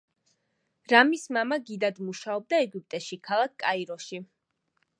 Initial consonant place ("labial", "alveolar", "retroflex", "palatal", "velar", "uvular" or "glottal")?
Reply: alveolar